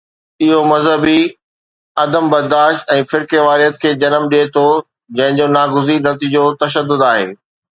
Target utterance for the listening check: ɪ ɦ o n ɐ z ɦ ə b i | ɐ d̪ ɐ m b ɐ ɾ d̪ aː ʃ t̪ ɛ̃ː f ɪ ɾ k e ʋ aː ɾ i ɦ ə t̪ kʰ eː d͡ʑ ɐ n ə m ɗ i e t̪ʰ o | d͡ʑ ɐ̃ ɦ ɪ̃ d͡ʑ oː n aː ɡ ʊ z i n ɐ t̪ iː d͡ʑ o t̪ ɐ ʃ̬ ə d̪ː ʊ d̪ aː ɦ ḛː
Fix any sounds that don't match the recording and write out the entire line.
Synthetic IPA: ɪ ɦ o m ɐ z ɦ ə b i | ɐ d̪ ə m b ɐ ɾ d̪ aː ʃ t̪ ɛ̃ː f ɪ ɾ k e ʋ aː ɾ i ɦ ə t̪ kʰ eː d͡ʑ ɐ n ə m ɗ i e t̪ʰ o | d͡ʑ ɐ̃ ɦ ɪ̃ d͡ʑ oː n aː ɡ ʊ z i n ɐ t̪ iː d͡ʑ o t̪ ɐ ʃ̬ ə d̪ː ʊ d̪ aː ɦ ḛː